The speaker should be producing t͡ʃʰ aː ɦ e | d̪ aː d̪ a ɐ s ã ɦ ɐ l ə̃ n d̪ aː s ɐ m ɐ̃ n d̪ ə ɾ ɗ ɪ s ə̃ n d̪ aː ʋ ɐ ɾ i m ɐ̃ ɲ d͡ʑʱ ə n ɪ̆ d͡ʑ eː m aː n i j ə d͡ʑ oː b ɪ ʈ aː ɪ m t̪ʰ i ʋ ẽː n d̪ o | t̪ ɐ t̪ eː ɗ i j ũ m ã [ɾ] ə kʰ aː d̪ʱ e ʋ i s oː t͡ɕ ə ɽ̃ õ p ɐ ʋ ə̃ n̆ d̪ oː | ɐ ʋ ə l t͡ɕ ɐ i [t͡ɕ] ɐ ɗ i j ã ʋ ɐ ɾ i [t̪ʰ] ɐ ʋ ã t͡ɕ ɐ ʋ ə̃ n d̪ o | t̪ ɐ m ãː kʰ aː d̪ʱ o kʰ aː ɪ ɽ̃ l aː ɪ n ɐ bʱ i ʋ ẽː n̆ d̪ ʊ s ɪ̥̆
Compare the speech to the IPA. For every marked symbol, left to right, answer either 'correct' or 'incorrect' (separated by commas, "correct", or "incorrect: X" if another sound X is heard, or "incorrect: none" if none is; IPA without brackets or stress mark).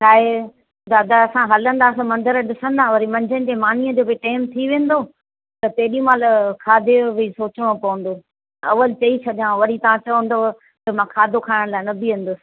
incorrect: l, incorrect: t͡ɕʰ, incorrect: t̪